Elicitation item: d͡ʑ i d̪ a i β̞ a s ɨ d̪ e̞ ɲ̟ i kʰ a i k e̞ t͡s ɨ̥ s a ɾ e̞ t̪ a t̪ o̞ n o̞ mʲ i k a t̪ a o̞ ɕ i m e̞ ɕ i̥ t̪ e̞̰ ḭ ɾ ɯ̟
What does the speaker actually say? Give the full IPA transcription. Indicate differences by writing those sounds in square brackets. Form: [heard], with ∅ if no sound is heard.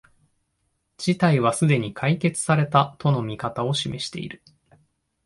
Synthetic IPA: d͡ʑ i [t̪] a i β̞ a s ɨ d̪ e̞ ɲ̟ i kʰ a i k e̞ t͡s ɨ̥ s a ɾ e̞ t̪ a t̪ o̞ n o̞ mʲ i k a t̪ a o̞ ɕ i m e̞ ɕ i̥ t̪ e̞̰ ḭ ɾ ɯ̟

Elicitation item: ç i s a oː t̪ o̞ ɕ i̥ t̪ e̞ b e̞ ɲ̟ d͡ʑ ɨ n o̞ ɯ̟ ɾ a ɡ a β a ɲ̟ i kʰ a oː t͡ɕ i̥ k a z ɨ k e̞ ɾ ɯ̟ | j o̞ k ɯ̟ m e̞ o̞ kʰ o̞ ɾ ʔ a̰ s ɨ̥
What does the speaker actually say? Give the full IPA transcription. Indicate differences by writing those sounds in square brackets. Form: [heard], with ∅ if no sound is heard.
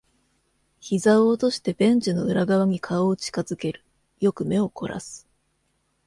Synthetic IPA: ç i [z] a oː t̪ o̞ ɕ i̥ t̪ e̞ b [ẽ̞] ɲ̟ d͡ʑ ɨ n o̞ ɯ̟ ɾ a ɡ a β a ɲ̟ i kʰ a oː t͡ɕ i̥ k a z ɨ k e̞ ɾ ɯ̟ | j o̞ k ɯ̟ m e̞ o̞ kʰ o̞ ɾ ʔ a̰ s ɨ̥

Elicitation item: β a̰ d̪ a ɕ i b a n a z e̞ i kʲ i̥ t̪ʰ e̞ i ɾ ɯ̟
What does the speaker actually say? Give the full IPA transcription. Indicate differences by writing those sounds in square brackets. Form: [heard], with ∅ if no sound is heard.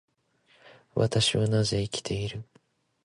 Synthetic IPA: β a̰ [t̪] a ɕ i [β] a n a z e̞ i kʲ i̥ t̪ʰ e̞ i ɾ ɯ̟

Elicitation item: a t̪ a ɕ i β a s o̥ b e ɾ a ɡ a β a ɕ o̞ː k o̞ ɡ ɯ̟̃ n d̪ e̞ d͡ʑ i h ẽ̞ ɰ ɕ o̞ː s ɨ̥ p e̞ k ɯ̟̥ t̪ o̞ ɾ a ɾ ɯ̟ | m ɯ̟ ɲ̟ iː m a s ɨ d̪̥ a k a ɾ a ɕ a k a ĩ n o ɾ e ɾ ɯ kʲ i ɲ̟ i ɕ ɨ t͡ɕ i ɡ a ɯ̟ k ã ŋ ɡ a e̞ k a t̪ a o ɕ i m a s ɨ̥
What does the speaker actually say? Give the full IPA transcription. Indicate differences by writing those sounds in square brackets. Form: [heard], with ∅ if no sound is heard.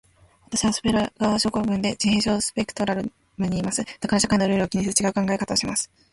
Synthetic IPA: a t̪ a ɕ i β a s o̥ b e ɾ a ɡ a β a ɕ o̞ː k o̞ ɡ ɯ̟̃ n d̪ e̞ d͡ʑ i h ẽ̞ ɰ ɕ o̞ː s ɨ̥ p e̞ k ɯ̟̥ t̪ o̞ ɾ a ɾ ɯ̟ | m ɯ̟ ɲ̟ iː m a s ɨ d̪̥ a k a ɾ a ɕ a k a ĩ n o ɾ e ɾ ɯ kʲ i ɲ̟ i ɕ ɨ t͡ɕ i ɡ a ɯ̟ k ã ŋ ɡ a e̞ k a t̪ a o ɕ i m a s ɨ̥

